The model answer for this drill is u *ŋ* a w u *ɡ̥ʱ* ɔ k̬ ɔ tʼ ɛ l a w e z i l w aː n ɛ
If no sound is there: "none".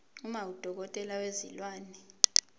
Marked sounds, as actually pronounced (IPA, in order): m, d̥ʱ

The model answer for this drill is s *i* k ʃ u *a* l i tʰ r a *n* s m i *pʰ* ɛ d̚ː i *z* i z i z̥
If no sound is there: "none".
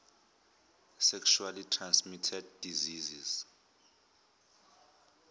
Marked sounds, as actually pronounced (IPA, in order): ɛ, a, n, tʰ, z

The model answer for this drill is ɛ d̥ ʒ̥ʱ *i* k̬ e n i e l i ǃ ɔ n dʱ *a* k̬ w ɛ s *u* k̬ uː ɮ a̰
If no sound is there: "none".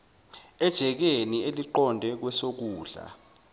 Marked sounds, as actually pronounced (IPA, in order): ɛ, ɛ, o

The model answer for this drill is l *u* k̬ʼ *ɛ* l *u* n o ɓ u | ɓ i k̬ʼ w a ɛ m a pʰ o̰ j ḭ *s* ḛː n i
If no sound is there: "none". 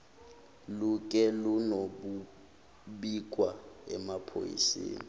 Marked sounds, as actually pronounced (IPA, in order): u, ɛ, u, s

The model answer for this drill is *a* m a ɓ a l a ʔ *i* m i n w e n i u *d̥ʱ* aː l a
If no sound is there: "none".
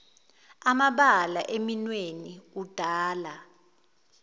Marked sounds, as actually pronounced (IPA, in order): a, e, d̥ʱ

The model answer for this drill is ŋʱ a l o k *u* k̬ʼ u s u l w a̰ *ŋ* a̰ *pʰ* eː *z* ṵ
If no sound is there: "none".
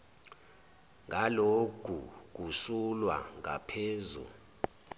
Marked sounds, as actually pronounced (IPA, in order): u, ŋ, pʰ, z

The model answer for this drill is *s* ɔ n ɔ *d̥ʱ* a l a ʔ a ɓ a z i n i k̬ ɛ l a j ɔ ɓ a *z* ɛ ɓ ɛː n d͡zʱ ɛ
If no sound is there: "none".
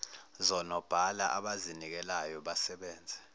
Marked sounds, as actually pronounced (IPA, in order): z, b̥ʱ, s

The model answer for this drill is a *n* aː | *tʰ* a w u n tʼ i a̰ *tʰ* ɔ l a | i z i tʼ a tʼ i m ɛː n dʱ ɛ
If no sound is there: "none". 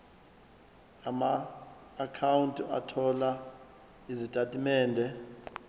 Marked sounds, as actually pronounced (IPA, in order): m, kʰ, tʰ

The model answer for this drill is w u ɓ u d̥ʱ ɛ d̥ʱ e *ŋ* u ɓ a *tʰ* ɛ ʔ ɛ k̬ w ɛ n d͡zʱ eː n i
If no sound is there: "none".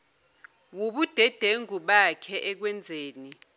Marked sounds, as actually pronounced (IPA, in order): ŋ, kʰ

